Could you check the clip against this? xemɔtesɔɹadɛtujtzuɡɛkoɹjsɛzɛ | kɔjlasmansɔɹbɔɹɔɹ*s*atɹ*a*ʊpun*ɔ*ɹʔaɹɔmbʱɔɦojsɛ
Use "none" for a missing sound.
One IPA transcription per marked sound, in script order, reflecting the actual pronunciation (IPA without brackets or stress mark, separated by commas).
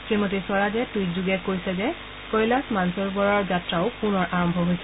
z, a, ɔ